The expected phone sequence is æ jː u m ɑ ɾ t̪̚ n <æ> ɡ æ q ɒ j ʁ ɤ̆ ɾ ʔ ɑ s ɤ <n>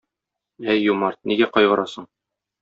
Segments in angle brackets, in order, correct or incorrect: incorrect: i, incorrect: ɴ

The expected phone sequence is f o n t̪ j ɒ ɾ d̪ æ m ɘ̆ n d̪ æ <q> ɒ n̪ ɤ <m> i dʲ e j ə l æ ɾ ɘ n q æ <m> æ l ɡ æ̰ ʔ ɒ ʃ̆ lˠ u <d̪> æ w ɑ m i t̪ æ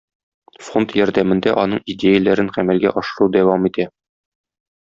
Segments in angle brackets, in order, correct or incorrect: incorrect: ʔ, incorrect: ɴ, correct, correct

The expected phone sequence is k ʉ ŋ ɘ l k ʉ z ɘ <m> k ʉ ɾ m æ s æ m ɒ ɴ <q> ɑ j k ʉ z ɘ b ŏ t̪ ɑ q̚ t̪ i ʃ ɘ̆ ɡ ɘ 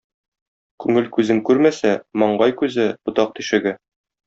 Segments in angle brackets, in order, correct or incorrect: incorrect: ŋ, incorrect: ɢ

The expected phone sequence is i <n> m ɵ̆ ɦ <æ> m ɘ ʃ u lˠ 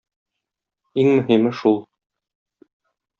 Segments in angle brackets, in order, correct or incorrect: incorrect: ŋ, incorrect: i

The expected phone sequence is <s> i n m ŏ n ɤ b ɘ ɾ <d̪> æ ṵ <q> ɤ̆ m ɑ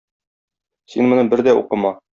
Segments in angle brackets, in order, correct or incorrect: correct, correct, correct

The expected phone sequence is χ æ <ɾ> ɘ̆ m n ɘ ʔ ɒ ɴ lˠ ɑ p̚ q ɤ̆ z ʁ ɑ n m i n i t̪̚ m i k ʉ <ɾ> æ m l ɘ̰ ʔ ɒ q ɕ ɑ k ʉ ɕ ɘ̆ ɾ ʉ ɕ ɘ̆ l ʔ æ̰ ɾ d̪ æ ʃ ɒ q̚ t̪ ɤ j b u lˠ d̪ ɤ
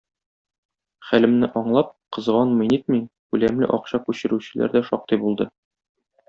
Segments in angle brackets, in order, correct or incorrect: incorrect: l, incorrect: l

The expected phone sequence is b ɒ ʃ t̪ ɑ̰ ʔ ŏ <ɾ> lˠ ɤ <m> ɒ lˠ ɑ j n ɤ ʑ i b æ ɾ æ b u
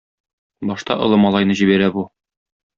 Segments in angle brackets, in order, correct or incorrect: incorrect: none, correct

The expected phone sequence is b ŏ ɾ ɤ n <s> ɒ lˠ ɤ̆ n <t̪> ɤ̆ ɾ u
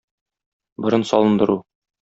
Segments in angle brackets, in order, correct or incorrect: correct, incorrect: d̪

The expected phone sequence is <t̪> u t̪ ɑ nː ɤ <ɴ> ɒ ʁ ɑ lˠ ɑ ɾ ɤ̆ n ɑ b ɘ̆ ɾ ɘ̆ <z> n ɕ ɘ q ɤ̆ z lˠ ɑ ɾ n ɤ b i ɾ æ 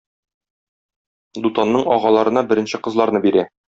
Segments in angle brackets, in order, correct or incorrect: incorrect: d̪, correct, incorrect: none

